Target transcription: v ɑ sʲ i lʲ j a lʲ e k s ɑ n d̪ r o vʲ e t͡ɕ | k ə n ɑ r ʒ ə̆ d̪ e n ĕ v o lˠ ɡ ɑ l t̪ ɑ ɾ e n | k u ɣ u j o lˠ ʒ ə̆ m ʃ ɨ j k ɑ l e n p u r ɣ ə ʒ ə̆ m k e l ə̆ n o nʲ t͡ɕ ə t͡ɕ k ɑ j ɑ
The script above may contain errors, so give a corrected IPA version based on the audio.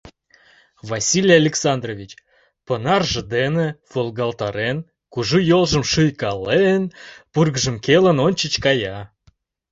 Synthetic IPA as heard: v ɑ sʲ i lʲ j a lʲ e k s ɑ n d̪ r o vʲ i t͡ɕ | p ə n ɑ r ʒ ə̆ d̪ e n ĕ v o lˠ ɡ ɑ l t̪ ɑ ɾ e n | k u ʒ u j o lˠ ʒ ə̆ m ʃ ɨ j k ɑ l e n p u r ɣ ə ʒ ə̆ m k e l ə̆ n o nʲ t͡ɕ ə t͡ɕ k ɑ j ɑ